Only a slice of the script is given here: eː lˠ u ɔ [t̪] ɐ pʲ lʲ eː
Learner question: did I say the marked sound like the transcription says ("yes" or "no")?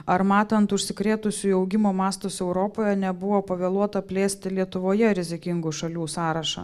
yes